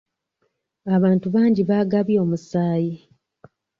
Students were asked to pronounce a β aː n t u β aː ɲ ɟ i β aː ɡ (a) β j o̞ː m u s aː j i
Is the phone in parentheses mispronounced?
no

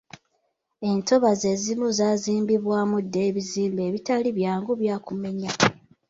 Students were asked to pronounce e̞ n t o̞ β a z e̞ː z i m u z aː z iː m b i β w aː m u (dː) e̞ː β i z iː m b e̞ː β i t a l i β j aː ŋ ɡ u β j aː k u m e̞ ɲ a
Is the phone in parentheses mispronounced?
no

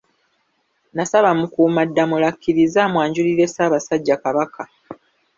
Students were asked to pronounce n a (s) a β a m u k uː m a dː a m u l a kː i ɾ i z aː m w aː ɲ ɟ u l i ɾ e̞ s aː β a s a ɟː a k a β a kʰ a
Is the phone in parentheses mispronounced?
no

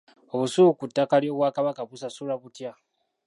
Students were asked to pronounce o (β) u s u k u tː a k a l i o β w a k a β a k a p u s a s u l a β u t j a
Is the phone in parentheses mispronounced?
no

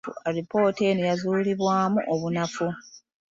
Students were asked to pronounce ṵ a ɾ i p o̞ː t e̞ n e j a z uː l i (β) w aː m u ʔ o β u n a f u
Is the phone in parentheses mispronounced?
no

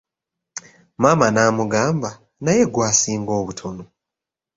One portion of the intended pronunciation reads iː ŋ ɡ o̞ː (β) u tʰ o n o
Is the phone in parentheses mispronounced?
no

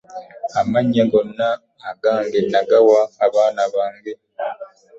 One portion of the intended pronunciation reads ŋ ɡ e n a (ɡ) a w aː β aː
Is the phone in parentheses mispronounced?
no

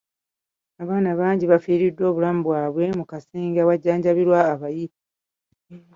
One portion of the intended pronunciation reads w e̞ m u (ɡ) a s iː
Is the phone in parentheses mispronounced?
yes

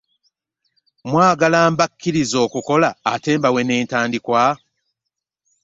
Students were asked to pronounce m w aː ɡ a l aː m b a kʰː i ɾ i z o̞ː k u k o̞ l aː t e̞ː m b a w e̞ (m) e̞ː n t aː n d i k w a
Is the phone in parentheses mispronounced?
yes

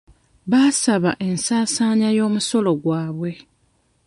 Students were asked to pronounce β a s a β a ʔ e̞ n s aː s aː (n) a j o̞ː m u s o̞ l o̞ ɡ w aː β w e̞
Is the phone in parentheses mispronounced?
yes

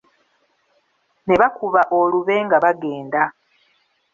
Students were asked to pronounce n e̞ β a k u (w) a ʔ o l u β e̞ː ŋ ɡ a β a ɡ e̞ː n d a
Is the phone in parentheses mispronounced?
yes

